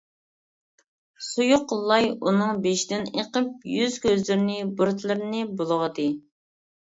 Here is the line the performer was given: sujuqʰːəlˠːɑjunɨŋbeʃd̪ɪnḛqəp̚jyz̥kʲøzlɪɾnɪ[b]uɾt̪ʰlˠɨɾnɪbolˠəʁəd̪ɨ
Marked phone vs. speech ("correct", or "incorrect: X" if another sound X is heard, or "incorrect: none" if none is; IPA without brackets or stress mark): correct